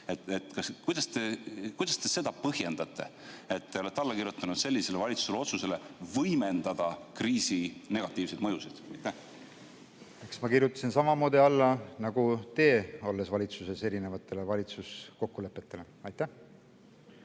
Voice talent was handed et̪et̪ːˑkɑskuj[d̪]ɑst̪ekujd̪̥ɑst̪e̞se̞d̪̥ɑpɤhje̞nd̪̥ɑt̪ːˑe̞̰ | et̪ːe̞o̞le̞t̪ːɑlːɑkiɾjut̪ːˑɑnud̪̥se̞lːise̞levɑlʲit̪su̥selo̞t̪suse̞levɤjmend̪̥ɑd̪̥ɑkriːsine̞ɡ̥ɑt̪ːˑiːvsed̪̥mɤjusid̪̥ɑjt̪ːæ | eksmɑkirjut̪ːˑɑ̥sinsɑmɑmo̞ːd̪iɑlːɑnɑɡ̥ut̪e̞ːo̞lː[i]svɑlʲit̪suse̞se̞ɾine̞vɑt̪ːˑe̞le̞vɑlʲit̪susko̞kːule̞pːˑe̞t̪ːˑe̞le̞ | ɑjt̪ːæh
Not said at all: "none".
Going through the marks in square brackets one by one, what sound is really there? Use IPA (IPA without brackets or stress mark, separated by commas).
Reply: d̪, e